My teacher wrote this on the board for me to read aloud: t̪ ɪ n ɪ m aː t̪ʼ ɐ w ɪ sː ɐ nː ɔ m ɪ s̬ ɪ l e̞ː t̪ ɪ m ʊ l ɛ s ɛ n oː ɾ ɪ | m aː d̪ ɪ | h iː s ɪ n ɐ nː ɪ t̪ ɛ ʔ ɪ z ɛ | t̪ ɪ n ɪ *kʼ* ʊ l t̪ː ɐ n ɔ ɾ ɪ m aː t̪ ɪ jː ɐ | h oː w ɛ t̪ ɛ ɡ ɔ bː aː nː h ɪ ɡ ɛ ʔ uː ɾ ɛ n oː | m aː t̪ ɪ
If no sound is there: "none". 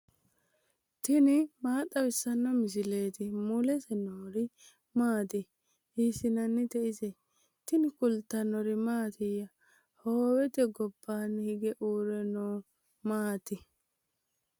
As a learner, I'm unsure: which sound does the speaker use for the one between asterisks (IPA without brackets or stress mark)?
k